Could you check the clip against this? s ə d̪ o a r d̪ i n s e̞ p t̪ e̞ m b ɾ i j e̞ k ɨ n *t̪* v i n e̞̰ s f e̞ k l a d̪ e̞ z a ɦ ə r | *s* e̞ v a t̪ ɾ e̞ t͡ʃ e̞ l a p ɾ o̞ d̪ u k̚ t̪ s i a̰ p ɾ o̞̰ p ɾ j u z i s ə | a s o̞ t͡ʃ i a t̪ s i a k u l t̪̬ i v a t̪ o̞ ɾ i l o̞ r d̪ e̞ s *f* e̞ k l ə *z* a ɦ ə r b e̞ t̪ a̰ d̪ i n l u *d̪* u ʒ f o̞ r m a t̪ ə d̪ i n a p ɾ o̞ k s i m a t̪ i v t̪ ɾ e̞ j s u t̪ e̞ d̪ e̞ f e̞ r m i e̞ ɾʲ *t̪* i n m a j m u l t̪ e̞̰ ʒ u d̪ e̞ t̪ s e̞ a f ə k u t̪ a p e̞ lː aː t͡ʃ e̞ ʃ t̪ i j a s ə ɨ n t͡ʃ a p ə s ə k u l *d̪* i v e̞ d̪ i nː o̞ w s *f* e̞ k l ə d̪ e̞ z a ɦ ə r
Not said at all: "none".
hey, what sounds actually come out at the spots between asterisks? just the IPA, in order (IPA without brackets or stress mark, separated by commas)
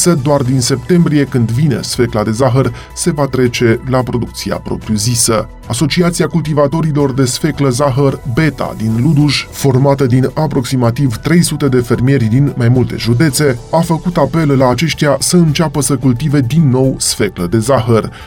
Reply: d̪, s, f, z, d̪, d̪, t̪, f